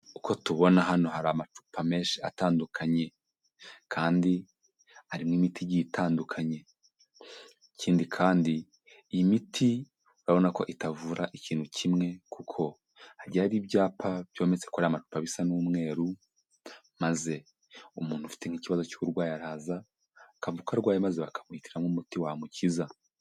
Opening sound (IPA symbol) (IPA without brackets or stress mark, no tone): u